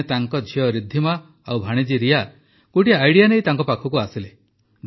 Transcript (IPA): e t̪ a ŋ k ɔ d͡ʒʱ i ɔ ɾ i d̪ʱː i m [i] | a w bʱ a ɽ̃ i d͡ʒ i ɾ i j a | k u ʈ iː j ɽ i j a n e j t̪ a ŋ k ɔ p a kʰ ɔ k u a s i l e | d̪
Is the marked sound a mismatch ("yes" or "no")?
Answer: yes